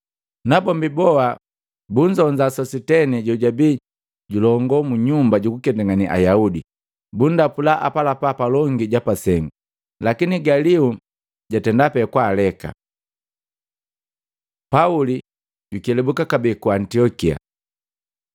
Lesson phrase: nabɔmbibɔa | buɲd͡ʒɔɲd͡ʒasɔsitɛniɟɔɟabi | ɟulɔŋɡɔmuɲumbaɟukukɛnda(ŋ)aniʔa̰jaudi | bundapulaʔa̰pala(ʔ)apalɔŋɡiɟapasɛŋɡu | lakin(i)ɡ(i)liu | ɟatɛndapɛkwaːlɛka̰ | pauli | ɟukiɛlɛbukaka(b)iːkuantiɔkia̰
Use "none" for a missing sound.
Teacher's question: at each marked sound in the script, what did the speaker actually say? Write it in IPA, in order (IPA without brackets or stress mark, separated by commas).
ŋ, p, i, a, b